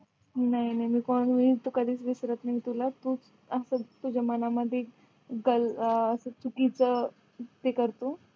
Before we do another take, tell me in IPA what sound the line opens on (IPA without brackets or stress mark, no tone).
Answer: n